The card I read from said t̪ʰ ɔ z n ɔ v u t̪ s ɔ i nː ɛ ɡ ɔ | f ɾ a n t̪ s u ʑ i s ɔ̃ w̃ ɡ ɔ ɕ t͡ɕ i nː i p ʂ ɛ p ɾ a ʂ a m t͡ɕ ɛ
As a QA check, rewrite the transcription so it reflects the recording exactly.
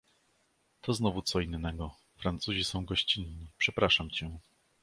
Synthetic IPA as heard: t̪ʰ ɔ z n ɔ v u t̪ s ɔ i nː ɛ ɡ ɔ | f ɾ a n t̪ s u ʑ i s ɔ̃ w̃ ɡ ɔ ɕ t͡ɕ i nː i p ʂ ɛ p ɾ a ʂ a m t͡ɕ ɛ